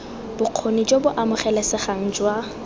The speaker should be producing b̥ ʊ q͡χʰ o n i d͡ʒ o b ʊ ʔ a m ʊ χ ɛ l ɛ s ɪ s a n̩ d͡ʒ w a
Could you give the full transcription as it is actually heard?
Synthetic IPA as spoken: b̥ ʊ q͡χʰ o n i d͡ʒ o b ʊ ʔ a m ʊ χ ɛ l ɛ s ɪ χ a ŋ̩ d͡ʒ w a